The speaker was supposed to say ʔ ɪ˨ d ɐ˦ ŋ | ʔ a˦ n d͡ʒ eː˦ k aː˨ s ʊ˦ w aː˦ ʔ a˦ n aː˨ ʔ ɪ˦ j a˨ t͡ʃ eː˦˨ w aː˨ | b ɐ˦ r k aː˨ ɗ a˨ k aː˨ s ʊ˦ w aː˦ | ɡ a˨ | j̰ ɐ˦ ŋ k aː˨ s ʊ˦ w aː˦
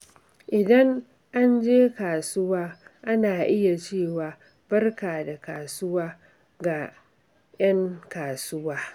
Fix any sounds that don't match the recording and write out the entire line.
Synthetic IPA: ʔ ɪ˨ d ɐ˦ ŋ | ʔ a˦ n d͡ʒ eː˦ k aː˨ s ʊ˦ w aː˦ ʔ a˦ n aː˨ ʔ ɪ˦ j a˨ t͡ʃ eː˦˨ w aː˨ | b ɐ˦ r k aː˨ d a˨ k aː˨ s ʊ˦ w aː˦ | ɡ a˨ | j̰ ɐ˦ ŋ k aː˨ s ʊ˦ w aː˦

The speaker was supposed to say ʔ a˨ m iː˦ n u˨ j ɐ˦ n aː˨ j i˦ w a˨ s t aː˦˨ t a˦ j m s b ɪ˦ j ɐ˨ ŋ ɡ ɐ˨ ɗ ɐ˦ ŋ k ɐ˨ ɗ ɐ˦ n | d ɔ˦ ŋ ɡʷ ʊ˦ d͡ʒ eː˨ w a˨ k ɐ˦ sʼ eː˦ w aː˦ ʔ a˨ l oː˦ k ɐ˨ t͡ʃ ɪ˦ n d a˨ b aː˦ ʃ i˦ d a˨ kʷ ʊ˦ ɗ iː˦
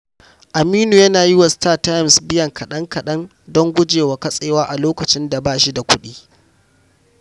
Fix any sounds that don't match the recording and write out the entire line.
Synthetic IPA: ʔ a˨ m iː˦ n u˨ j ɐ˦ n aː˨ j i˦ w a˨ s t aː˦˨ t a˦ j m s b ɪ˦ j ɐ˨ ŋ k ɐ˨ ɗ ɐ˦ ŋ k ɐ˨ ɗ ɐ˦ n | d ɔ˦ ŋ ɡʷ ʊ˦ d͡ʒ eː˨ w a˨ k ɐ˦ sʼ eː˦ w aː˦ ʔ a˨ l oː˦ k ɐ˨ t͡ʃ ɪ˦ n d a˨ b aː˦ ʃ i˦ d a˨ kʷ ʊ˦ ɗ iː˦

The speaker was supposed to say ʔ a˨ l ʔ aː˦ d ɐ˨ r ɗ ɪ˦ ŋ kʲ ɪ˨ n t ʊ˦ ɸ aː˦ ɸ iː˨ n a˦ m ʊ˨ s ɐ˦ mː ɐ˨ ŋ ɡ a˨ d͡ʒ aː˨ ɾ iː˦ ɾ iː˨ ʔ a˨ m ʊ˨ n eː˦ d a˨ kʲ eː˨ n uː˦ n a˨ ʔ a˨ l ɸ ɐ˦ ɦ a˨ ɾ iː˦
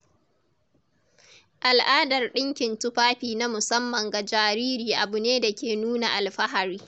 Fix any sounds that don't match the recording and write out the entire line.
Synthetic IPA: ʔ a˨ l ʔ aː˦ d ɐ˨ r ɗ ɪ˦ ŋ kʲ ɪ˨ n t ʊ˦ ɸ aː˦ ɸ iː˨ n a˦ m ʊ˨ s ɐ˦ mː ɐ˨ ŋ ɡ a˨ d͡ʒ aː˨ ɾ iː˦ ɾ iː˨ ʔ a˨ b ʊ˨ n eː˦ d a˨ kʲ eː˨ n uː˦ n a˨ ʔ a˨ l ɸ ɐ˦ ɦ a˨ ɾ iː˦

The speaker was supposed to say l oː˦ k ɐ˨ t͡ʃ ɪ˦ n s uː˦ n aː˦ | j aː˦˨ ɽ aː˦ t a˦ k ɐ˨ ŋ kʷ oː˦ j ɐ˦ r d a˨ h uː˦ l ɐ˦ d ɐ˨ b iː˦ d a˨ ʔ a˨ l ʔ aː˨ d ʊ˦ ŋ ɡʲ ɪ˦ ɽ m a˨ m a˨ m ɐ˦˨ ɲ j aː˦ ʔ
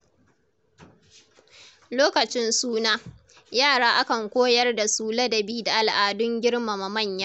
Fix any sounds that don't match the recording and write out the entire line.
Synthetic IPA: l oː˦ k ɐ˨ t͡ʃ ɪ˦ n s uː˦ n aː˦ | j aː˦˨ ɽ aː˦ ʔ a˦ k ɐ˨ ŋ kʷ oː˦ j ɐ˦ r d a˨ s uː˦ l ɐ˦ d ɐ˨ b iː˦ d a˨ ʔ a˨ l ʔ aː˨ d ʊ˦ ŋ ɡʲ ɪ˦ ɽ m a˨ m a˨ m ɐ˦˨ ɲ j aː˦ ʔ

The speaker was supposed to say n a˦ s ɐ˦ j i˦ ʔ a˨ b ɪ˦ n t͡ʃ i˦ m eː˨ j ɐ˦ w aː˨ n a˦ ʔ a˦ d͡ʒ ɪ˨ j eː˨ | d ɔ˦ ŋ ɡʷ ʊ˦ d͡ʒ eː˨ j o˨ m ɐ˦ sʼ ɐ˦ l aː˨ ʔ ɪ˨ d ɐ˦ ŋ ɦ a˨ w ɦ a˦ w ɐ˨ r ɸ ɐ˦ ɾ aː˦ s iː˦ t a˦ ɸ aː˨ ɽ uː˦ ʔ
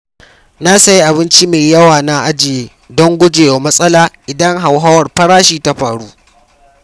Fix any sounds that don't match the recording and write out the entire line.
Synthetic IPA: n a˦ s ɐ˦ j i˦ ʔ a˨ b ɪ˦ n t͡ʃ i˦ m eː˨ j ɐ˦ w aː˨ n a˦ ʔ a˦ d͡ʒ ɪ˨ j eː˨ | d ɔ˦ ŋ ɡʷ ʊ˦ d͡ʒ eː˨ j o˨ m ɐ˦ sʼ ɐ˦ l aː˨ ʔ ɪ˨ d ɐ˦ ŋ ɦ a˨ w ɦ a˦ w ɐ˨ r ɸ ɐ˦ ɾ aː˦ ʃ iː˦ t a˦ ɸ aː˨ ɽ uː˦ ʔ

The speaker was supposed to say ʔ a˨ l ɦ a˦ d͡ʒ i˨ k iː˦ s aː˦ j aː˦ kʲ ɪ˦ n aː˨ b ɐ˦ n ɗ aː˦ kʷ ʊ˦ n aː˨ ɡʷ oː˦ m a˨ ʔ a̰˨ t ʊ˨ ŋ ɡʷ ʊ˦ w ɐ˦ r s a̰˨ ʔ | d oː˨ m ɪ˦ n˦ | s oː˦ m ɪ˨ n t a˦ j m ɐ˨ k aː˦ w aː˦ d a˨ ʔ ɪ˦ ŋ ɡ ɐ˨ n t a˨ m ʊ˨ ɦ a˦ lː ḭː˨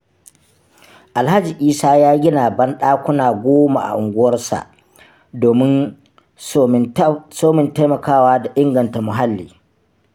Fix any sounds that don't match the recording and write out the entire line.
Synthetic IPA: ʔ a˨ l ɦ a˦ d͡ʒ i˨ ʔ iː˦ s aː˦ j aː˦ ɡʲ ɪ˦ n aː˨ b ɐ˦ n ɗ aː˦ kʷ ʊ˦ n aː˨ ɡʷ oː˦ m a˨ ʔ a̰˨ ʔ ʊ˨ ŋ ɡʷ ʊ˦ w ɐ˦ r s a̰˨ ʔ | d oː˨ m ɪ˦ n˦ | s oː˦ m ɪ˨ n t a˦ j m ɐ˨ k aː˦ w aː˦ d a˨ ʔ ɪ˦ ŋ ɡ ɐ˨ n t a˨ m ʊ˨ ɦ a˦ lː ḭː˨

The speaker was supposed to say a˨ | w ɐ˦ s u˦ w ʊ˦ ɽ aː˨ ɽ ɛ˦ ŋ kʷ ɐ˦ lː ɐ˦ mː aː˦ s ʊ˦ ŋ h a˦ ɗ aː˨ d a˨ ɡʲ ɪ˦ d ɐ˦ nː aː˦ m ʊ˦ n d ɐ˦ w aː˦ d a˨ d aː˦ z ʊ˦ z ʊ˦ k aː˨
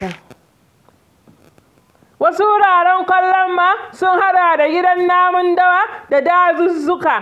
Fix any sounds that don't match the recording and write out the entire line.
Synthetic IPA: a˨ | w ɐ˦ s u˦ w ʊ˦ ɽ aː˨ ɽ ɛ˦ ŋ kʷ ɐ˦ lː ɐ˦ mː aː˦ s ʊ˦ ŋ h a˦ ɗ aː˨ d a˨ ɡʲ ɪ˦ d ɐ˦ nː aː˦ m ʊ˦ n d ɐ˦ w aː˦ d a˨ d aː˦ z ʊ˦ z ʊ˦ k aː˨

